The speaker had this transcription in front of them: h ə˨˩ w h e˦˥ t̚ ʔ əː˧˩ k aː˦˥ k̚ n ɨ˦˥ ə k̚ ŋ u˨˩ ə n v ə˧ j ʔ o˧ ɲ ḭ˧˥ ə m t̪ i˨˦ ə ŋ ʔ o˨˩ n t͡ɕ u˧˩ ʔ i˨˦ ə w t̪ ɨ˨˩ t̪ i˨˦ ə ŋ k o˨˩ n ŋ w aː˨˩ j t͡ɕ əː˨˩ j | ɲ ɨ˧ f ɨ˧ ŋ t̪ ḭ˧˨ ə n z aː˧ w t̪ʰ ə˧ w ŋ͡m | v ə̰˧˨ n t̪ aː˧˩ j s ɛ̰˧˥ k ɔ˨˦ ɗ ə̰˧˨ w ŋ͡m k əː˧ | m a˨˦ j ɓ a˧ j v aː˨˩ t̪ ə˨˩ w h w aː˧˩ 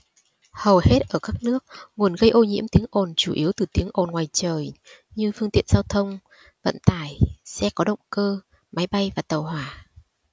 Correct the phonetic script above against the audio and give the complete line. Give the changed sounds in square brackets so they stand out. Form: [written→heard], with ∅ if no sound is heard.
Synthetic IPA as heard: h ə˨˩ w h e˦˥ t̚ ʔ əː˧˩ k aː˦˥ k̚ n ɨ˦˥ ə k̚ ŋ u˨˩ ə n [v→ɣ] ə˧ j ʔ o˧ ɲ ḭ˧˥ ə m t̪ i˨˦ ə ŋ ʔ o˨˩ n t͡ɕ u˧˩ ʔ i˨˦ ə w t̪ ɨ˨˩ t̪ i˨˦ ə ŋ [k→ʔ] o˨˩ n ŋ w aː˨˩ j t͡ɕ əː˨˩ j | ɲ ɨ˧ f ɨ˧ ŋ t̪ ḭ˧˨ ə n z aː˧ w t̪ʰ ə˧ w ŋ͡m | v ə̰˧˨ n t̪ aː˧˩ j s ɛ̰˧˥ k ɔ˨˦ ɗ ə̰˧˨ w ŋ͡m k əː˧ | m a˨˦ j ɓ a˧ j v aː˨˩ t̪ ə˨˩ w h w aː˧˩

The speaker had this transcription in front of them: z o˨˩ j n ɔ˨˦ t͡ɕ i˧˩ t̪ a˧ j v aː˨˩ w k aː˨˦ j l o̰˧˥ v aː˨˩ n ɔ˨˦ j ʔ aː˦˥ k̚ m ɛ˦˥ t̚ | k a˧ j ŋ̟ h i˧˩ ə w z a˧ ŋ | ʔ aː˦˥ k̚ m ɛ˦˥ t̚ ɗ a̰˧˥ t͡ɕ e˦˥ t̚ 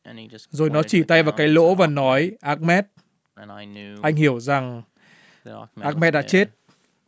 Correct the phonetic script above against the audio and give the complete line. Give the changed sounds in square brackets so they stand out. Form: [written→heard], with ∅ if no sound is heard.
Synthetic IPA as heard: z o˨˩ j n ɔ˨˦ t͡ɕ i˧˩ t̪ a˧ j v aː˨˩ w k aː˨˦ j l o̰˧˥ v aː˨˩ n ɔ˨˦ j ʔ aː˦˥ k̚ m ɛ˦˥ t̚ | [k→ʔ] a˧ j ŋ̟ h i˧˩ ə w z [a˧→a˨˩] ŋ | ʔ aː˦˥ k̚ m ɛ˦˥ t̚ ɗ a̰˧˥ t͡ɕ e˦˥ t̚

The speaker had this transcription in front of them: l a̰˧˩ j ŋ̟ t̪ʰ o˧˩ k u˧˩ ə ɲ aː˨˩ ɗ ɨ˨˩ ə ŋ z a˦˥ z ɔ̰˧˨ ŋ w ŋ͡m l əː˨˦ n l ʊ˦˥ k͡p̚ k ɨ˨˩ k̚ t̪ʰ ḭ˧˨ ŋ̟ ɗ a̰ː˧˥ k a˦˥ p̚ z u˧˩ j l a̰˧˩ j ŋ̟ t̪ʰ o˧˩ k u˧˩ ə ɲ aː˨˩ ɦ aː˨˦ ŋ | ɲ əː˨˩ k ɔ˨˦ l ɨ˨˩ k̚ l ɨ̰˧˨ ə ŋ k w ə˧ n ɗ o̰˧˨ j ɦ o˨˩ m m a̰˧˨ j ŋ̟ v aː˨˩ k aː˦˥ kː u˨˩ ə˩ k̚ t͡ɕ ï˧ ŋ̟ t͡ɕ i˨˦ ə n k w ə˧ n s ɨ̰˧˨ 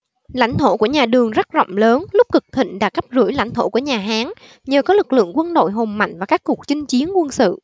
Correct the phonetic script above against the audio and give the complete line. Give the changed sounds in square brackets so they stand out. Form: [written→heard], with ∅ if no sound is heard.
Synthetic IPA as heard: l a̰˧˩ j ŋ̟ t̪ʰ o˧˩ k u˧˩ ə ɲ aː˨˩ ɗ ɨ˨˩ ə ŋ z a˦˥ z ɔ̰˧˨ [ŋ→∅] w ŋ͡m l əː˨˦ n l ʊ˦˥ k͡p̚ k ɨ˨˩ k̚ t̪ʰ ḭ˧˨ ŋ̟ ɗ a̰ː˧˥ k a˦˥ p̚ z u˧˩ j l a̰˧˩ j ŋ̟ t̪ʰ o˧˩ k u˧˩ ə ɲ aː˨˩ ɦ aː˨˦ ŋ | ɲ əː˨˩ k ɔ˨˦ l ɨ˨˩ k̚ l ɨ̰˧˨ ə ŋ k w ə˧ n ɗ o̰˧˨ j ɦ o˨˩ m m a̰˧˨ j ŋ̟ v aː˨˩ k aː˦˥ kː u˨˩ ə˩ k̚ t͡ɕ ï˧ ŋ̟ t͡ɕ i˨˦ ə n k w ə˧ n s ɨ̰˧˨

